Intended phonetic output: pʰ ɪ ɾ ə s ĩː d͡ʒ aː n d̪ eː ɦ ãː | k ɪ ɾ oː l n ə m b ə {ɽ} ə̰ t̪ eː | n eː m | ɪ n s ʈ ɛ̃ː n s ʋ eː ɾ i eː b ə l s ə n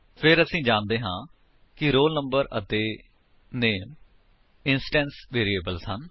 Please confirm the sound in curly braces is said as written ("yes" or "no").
no